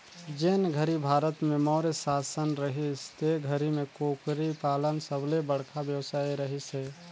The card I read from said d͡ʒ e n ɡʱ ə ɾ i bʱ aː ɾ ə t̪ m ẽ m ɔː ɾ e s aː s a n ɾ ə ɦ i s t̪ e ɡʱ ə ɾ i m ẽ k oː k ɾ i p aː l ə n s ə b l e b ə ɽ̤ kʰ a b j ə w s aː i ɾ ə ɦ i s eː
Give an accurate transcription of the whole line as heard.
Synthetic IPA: d͡ʒ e n ɡʱ ə ɾ i bʱ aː ɾ ə t̪ m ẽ m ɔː ɾ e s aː s ə n ɾ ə ɦ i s t̪ e ɡʱ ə ɾ i m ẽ k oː k ɾ i p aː l ə n s ə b l e b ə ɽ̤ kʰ a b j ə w s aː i ɾ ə ɦ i s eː